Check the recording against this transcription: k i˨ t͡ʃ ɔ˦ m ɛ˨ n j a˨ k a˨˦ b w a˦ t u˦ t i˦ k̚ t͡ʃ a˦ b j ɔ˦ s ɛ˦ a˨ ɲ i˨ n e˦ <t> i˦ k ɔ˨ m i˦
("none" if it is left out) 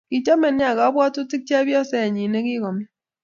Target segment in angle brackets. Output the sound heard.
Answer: k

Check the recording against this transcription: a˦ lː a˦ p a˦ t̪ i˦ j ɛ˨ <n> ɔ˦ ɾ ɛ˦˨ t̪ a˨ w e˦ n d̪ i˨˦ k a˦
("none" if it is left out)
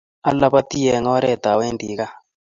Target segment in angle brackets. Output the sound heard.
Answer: ŋ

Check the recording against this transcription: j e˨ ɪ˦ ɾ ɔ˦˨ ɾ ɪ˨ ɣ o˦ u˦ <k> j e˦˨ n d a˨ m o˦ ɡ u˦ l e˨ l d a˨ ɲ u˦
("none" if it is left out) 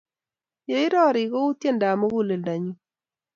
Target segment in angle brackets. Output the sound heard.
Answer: t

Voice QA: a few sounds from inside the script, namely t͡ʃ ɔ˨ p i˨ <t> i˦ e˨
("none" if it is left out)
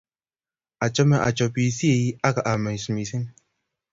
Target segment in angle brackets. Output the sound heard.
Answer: s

